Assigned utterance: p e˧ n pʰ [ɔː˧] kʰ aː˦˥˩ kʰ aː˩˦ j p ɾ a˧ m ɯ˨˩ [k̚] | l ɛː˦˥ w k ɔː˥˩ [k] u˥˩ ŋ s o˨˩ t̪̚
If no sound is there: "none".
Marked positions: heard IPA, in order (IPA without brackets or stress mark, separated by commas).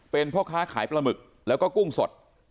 ɔː˥˩, k̚, k